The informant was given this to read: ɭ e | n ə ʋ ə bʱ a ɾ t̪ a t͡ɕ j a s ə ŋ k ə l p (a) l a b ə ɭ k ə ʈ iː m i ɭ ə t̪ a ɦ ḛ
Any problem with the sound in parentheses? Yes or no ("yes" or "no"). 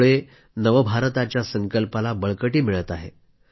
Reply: no